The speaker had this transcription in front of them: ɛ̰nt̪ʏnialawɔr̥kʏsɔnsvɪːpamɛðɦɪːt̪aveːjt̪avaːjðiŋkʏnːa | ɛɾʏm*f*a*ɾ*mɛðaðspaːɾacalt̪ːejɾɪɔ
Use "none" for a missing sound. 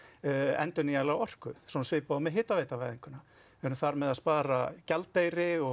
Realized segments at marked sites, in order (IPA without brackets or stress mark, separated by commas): θ, ɾ